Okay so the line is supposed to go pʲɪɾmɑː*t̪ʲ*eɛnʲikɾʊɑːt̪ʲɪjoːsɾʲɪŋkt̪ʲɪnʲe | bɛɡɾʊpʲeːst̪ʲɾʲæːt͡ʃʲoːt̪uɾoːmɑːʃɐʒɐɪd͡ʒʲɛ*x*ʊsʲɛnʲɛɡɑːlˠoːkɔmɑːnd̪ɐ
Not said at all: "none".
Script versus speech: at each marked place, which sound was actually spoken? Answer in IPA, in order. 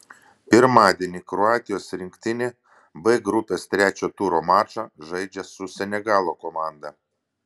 d̪ʲ, s

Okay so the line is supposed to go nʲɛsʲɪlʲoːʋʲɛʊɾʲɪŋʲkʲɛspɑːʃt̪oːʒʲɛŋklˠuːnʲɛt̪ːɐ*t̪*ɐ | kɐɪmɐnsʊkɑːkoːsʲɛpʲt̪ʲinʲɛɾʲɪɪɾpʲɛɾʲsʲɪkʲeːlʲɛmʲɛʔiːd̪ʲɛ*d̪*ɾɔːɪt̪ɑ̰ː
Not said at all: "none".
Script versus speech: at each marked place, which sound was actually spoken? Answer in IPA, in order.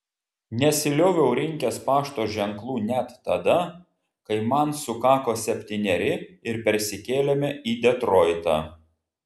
d̪, t̪

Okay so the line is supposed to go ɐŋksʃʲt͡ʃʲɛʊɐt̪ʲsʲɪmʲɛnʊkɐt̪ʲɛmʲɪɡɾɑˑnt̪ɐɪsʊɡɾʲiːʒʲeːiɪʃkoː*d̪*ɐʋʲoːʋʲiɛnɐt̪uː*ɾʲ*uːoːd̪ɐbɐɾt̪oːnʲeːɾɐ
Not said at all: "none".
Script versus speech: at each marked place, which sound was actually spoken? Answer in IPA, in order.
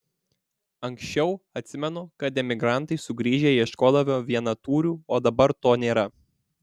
d̪, ɾʲ

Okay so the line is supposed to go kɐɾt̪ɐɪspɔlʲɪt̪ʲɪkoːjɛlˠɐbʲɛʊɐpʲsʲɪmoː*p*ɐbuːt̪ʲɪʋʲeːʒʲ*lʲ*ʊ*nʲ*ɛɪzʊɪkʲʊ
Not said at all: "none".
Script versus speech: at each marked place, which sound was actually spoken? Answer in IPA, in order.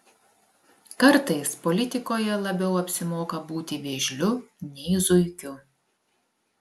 k, lʲ, nʲ

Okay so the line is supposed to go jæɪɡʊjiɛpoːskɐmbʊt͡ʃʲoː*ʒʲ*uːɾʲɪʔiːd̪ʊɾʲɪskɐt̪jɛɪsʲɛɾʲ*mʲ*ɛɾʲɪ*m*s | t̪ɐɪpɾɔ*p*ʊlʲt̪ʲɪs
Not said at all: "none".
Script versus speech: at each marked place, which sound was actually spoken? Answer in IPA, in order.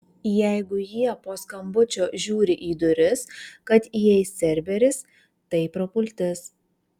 ʒʲ, bʲ, none, p

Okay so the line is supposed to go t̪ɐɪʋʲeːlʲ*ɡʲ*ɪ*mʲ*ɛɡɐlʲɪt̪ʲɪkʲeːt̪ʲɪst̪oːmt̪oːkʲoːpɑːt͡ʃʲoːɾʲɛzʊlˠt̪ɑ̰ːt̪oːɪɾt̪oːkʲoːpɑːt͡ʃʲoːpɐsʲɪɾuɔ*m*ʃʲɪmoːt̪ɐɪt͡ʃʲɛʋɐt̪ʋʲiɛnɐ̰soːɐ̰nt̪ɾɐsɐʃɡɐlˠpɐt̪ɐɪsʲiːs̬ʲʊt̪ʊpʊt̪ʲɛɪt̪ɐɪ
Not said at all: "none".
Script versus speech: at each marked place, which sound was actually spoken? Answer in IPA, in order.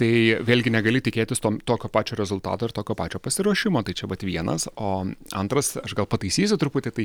ɡʲ, nʲ, none

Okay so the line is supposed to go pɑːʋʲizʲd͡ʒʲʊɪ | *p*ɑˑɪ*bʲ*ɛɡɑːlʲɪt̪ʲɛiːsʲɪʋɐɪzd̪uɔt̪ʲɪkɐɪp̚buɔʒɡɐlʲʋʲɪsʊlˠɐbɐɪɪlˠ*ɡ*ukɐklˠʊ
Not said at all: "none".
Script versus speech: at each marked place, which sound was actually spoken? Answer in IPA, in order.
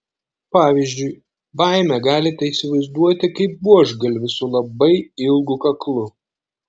b, mʲ, ɡ

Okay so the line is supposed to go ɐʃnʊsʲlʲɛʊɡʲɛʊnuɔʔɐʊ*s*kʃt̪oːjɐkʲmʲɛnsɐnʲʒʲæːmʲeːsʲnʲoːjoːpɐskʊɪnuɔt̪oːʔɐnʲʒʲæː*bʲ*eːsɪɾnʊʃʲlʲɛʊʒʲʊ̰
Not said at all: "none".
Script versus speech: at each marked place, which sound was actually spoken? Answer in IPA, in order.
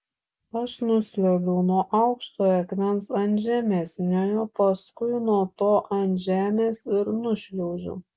none, mʲ

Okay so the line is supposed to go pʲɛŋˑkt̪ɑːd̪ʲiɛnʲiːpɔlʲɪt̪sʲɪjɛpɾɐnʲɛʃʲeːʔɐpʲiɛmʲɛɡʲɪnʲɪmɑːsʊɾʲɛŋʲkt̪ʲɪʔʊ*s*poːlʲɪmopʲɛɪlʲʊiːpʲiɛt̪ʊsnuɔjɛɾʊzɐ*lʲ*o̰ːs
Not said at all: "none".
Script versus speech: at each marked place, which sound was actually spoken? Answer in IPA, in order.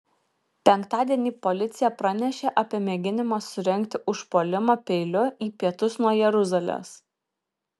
ʃ, lʲ

